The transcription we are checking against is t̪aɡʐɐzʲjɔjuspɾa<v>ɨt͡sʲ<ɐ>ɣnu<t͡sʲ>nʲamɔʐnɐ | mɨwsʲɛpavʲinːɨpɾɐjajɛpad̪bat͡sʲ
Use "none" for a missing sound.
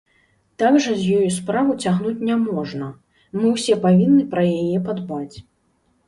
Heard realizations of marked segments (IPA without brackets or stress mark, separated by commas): v, a, t͡sʲ